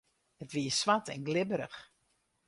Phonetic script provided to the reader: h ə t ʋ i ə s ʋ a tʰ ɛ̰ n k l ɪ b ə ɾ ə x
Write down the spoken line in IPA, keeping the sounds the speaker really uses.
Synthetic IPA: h ə t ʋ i ə s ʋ a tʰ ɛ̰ n ɡ l ɪ b ə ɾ ə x